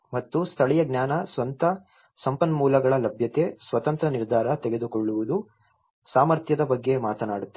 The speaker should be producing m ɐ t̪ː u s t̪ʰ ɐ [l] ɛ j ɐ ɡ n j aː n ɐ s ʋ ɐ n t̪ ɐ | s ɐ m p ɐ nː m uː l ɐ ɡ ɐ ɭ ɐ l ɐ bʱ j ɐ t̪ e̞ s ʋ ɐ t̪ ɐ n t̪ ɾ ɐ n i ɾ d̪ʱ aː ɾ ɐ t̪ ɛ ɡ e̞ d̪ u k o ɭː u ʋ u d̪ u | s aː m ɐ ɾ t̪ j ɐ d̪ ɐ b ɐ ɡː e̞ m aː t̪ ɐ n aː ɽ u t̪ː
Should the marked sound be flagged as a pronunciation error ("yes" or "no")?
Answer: yes